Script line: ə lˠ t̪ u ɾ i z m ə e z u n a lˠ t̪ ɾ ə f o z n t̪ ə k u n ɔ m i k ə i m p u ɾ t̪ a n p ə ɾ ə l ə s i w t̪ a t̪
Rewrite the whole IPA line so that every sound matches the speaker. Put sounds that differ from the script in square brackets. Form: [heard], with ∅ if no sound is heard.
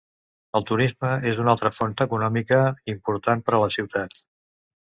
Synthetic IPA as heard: ə lˠ t̪ u ɾ i z m ə e z u n a lˠ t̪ ɾ ə f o [∅] n t̪ ə k u n ɔ m i k ə i m p u ɾ t̪ a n p ə ɾ ə l ə s i w t̪ a t̪